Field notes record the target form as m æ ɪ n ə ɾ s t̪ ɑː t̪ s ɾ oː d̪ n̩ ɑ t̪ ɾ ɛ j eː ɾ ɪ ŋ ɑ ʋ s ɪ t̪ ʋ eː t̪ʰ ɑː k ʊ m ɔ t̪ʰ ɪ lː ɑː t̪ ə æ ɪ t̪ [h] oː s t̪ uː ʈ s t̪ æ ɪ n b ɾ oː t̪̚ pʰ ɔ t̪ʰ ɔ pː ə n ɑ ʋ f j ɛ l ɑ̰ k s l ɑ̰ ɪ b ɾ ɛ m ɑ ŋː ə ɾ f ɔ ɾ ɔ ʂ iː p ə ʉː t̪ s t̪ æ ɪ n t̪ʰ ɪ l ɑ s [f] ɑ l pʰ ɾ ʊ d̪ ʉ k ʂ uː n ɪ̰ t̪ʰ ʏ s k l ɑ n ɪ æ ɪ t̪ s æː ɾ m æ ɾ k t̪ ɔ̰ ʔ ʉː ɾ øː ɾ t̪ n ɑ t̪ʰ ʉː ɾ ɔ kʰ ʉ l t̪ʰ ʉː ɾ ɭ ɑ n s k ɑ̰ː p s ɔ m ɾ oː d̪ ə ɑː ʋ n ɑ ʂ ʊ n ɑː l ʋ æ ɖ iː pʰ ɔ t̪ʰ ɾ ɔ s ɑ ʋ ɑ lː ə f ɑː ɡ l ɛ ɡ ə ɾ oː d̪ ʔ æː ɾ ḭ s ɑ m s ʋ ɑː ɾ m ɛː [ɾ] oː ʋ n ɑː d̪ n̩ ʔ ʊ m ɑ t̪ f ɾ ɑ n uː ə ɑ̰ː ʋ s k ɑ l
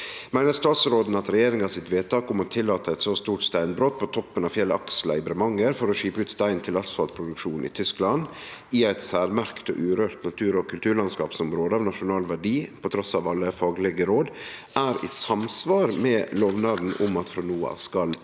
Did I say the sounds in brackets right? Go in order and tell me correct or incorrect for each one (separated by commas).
incorrect, correct, incorrect